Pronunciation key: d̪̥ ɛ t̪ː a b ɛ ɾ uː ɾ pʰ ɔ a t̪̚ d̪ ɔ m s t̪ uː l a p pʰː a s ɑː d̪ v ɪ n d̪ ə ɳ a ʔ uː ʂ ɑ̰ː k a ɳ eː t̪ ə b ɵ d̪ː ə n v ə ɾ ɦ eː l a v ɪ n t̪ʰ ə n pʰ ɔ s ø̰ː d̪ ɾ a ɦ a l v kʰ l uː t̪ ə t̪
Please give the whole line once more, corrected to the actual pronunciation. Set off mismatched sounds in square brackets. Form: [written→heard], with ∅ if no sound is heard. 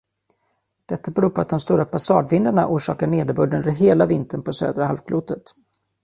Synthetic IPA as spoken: d̪̥ ɛ t̪ː a b ɛ ɾ uː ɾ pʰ ɔ a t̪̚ d̪ ɔ m s t̪ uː [l→ɾ] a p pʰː a s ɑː d̪ v ɪ n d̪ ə ɳ a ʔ uː ʂ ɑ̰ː k a ɳ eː [t̪→d̪] ə b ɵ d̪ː ə n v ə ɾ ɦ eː l a v ɪ n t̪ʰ ə n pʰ ɔ s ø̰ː d̪ ɾ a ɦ a l v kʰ l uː t̪ ə t̪